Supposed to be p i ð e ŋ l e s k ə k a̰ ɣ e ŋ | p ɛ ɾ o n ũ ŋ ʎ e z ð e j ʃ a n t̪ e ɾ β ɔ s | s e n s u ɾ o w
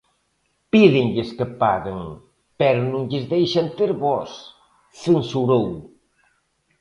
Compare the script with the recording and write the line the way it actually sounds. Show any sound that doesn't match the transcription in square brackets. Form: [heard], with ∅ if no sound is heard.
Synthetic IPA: p i ð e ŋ [ʎ] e s k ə [p] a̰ ɣ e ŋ | p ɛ ɾ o n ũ ŋ ʎ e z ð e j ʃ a n t̪ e ɾ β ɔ s | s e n s u ɾ o w